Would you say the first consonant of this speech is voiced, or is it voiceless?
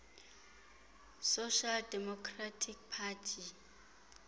voiceless